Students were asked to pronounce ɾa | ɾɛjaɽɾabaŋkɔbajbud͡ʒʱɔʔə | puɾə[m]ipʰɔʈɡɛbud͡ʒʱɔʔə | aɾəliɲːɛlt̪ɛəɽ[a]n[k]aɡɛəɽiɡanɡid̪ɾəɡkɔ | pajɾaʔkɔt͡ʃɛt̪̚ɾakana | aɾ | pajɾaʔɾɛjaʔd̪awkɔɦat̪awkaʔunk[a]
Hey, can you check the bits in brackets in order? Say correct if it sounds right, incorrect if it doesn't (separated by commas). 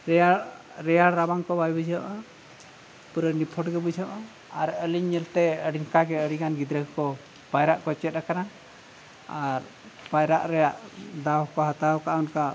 incorrect, incorrect, correct, correct